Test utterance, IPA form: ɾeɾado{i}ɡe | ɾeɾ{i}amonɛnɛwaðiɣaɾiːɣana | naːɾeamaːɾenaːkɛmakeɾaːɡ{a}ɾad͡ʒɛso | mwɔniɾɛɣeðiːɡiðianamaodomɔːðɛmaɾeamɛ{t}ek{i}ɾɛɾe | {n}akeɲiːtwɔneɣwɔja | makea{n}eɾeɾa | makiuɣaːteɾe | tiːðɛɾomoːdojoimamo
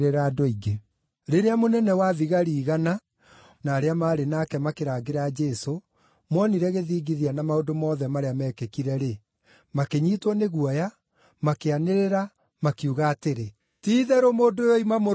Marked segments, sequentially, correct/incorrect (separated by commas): correct, incorrect, incorrect, incorrect, correct, incorrect, correct